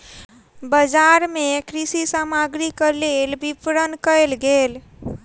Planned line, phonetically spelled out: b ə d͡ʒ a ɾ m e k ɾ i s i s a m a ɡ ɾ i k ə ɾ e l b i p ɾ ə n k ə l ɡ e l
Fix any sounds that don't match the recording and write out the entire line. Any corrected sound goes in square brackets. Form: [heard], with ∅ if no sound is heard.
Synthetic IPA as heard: b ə d͡ʒ a ɾ m e k ɾ i s i s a m a ɡ ɾ i k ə [l] e l b i p ɾ ə n k ə l ɡ e l